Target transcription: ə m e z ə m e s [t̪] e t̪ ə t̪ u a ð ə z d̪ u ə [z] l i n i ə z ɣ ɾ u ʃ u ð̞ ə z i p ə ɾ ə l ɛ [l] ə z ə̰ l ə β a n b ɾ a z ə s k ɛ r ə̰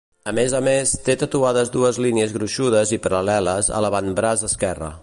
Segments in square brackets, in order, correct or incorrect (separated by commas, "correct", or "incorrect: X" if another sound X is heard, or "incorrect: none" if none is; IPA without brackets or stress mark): correct, correct, correct